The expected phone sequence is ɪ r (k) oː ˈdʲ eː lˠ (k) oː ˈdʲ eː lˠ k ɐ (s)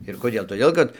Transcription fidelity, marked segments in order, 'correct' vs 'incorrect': correct, incorrect: t, incorrect: t

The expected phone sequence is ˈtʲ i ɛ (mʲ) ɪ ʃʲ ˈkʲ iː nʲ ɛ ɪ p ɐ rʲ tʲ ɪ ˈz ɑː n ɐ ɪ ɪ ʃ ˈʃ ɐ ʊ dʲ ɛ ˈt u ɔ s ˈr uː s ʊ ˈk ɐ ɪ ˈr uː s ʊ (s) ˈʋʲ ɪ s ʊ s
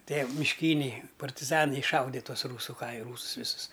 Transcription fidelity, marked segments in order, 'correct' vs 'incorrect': correct, correct

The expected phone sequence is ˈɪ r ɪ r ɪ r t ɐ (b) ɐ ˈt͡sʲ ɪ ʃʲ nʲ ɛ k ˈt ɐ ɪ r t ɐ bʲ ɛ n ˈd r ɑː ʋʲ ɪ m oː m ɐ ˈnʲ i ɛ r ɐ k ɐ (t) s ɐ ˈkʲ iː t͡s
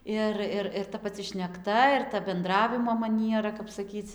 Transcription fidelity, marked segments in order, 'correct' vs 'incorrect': incorrect: p, incorrect: p

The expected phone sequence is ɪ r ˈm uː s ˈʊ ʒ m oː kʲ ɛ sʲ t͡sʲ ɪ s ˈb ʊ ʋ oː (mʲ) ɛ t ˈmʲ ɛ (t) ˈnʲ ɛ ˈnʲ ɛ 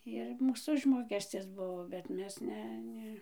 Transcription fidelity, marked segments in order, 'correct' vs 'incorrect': incorrect: bʲ, incorrect: s

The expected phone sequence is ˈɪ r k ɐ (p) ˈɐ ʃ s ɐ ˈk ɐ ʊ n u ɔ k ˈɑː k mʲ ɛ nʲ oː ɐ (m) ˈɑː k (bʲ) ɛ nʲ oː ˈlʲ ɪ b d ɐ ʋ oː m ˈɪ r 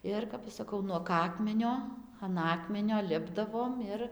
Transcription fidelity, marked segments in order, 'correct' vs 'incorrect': correct, incorrect: n, incorrect: mʲ

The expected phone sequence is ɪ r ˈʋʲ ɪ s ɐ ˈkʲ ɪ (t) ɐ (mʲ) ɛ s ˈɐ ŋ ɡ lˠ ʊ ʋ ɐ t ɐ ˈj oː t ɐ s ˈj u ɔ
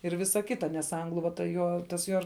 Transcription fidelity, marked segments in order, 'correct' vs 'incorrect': correct, incorrect: nʲ

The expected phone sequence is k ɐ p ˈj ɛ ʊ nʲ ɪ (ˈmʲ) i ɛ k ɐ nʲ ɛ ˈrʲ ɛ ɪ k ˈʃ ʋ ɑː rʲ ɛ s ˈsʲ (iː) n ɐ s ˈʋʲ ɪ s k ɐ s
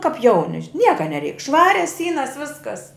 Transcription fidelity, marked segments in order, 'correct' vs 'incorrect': incorrect: nʲ, correct

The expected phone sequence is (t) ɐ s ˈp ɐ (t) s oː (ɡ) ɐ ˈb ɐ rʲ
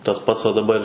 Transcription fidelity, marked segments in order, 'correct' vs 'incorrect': correct, correct, incorrect: d

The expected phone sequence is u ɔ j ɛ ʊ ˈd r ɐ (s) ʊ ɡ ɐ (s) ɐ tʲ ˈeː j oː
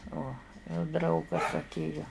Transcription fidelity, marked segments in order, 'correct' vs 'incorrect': incorrect: none, correct

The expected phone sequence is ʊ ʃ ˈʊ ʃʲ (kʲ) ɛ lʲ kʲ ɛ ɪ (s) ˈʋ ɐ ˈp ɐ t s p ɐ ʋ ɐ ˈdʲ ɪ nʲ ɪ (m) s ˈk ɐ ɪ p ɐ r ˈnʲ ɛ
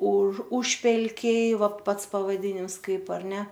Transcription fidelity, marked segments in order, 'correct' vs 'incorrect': incorrect: pʲ, incorrect: none, correct

